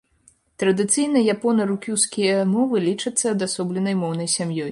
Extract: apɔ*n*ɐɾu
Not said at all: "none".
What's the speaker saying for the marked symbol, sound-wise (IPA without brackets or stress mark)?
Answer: n